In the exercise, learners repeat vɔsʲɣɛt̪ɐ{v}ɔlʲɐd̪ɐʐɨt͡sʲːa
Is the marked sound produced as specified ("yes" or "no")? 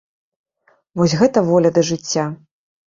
yes